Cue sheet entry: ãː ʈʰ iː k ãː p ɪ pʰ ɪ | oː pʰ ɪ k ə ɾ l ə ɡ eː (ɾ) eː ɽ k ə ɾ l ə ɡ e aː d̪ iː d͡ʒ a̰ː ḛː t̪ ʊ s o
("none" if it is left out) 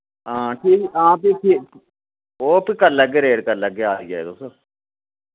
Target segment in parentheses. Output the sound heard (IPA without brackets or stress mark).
ɾ